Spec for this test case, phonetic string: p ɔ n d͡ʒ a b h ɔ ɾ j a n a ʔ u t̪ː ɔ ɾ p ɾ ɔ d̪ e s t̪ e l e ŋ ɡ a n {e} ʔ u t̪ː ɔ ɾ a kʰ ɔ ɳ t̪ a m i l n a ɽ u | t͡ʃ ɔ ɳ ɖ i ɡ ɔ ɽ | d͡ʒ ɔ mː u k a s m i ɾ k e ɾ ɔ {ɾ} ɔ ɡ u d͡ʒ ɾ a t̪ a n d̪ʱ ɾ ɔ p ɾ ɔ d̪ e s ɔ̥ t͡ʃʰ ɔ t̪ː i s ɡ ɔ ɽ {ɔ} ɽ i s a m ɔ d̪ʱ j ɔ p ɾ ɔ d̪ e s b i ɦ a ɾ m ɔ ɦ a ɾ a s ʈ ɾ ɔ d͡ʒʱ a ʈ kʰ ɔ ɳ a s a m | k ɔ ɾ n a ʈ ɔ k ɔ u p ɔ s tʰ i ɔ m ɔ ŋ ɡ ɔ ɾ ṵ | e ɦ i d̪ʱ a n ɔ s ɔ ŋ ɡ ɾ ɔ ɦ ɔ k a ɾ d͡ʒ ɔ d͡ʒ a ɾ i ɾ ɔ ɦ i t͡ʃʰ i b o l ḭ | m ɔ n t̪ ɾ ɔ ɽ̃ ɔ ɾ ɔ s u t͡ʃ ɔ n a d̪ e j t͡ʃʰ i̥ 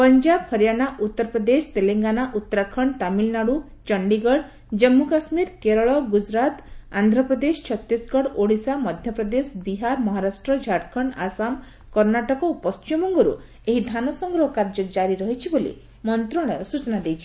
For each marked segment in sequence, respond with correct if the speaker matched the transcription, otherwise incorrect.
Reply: incorrect, incorrect, incorrect

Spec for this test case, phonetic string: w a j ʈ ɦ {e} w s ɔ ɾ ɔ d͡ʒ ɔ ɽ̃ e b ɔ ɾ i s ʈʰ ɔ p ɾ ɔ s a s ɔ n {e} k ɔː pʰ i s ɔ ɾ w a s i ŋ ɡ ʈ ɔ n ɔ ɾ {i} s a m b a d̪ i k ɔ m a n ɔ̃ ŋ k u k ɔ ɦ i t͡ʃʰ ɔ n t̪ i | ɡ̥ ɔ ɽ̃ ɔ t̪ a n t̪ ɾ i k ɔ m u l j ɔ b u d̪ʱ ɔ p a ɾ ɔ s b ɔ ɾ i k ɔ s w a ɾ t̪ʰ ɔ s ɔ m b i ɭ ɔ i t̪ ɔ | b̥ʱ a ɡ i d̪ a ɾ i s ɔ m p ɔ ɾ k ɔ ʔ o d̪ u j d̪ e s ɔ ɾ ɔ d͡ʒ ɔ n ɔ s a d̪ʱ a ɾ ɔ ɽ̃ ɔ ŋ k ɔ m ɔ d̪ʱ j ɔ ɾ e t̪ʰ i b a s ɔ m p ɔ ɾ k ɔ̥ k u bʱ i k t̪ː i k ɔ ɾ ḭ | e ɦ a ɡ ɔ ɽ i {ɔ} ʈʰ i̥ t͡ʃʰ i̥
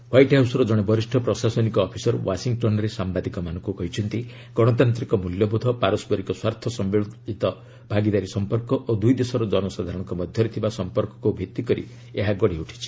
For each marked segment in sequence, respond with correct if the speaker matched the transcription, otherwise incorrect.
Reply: incorrect, incorrect, incorrect, incorrect

